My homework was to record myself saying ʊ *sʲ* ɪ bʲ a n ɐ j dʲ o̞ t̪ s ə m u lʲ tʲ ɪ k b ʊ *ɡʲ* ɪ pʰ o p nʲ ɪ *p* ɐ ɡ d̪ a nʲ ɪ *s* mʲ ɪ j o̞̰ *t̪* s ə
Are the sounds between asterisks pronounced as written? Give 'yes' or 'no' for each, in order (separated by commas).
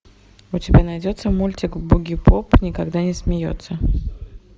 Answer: no, yes, no, yes, yes